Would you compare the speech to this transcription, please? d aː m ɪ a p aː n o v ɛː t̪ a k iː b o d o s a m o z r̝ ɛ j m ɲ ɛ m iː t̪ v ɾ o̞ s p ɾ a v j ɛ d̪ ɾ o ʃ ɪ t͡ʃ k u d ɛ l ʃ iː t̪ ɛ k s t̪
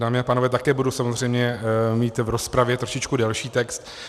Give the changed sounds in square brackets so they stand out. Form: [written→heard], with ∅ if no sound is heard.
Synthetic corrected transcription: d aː m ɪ a p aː n o v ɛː t̪ a k [iː→ɛː] b [o→u] d [o→u] s a m o z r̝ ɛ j m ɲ ɛ m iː t̪ v ɾ o̞ s p ɾ a v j ɛ [d̪→t̪] ɾ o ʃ ɪ t͡ʃ k u d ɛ l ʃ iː t̪ ɛ k s t̪